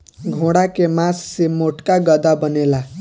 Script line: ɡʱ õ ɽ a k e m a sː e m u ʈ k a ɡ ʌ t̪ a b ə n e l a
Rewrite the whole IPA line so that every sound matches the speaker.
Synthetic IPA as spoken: ɡʱ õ ɽ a k e m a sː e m o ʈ k a ɡ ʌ d̪ a b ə n e l a